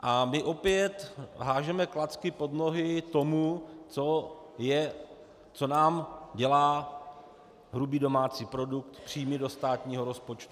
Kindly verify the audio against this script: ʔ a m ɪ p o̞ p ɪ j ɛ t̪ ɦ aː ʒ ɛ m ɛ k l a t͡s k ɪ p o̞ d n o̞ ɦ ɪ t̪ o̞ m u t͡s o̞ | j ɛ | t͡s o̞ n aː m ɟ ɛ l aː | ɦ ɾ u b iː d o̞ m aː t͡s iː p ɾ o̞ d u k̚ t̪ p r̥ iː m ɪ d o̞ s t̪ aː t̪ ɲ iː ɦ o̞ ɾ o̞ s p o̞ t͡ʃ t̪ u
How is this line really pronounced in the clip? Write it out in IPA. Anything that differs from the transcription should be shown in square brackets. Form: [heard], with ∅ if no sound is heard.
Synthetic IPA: ʔ a m ɪ [ʔ] o̞ p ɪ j ɛ t̪ ɦ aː ʒ ɛ m ɛ k l a t͡s k ɪ p o̞ d n o̞ ɦ ɪ t̪ o̞ m u t͡s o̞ | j ɛ | t͡s o̞ n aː m ɟ ɛ l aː | ɦ ɾ u b iː d o̞ m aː t͡s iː p ɾ o̞ d u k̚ t̪ p r̥ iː m ɪ d o̞ s t̪ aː t̪ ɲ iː ɦ o̞ ɾ o̞ s p o̞ t͡ʃ t̪ u